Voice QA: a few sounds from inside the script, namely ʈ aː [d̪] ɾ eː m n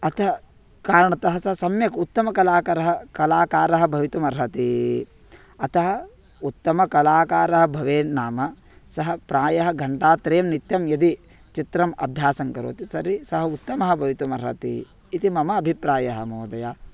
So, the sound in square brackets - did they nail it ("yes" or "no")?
no